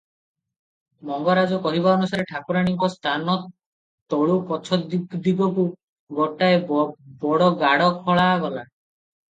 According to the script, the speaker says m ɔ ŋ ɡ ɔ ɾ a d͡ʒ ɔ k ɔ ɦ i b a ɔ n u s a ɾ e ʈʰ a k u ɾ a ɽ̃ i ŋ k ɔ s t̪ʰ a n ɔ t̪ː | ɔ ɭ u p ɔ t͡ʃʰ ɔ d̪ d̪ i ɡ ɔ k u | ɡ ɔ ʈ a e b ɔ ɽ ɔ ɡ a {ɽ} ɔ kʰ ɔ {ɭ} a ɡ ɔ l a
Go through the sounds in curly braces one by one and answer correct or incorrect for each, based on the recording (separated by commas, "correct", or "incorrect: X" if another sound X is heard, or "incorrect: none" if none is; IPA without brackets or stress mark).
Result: correct, correct